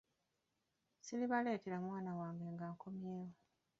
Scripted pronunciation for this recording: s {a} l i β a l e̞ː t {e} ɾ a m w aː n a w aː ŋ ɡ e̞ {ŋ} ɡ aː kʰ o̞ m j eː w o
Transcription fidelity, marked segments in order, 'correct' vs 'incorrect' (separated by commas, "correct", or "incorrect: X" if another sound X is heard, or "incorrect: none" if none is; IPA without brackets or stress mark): incorrect: i, correct, correct